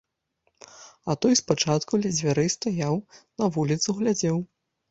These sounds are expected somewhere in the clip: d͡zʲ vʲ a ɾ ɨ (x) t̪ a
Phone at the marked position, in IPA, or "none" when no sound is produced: s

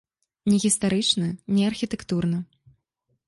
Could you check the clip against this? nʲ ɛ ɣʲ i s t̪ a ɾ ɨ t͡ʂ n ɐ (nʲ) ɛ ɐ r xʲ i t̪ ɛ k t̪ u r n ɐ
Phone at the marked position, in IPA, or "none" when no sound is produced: nʲ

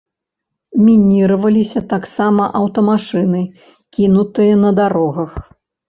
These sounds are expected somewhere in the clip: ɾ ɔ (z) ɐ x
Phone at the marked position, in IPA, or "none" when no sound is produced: ɣ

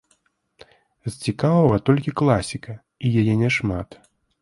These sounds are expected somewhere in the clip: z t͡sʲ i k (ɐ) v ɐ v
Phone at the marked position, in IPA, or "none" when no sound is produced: a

